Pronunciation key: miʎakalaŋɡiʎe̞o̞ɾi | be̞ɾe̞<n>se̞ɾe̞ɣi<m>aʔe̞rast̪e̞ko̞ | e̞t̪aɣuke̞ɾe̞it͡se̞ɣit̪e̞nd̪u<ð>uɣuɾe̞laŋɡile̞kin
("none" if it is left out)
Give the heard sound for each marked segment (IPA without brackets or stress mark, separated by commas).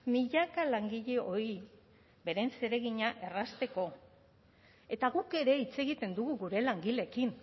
n, ɲ, ɣ